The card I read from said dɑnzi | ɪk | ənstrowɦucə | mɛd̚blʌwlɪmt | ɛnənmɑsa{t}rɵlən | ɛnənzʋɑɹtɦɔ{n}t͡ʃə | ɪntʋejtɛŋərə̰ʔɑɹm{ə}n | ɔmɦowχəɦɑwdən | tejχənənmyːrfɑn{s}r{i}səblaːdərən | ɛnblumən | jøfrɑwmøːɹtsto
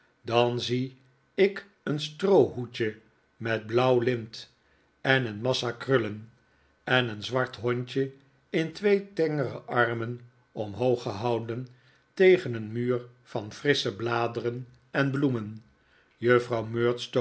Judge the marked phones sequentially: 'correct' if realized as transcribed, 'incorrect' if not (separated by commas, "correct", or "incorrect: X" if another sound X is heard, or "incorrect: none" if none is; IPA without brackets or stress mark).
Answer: incorrect: k, incorrect: ɲ, correct, incorrect: f, incorrect: ɪ